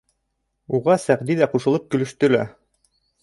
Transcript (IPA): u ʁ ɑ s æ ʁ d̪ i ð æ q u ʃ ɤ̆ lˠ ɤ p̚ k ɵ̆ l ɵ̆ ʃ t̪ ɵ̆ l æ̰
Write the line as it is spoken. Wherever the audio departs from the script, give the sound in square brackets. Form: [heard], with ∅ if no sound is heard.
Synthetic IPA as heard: u ʁ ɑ s æ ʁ d̪ i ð æ q u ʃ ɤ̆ lˠ ɤ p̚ k ɵ̆ l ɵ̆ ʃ t̪ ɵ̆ l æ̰